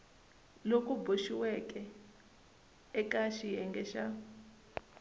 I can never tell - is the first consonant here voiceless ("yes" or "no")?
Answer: no